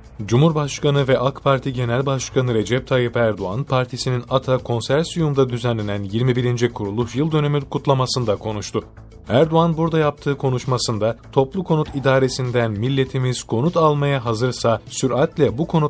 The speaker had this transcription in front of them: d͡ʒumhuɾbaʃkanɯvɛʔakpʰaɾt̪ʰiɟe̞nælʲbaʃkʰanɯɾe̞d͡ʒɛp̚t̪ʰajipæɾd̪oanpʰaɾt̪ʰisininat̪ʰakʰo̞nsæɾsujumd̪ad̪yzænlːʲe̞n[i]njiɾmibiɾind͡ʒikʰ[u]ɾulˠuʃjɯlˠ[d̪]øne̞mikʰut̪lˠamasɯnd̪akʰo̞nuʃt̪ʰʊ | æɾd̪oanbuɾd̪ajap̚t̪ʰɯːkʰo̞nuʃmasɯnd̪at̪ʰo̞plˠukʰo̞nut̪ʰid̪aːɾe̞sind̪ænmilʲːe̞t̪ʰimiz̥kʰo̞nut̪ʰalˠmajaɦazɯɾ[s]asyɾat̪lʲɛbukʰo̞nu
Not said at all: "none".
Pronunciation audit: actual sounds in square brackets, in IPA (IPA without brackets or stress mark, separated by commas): æ, u, d̪, s